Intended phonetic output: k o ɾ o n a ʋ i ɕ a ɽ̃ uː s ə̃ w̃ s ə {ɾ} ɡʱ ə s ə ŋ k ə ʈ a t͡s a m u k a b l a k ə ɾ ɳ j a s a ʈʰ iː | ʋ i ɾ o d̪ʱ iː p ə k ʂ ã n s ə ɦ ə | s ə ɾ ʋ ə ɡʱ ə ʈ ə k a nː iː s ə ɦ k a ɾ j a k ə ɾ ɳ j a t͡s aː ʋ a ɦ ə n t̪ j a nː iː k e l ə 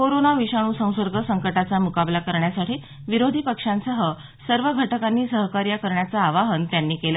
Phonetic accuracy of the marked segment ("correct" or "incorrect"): correct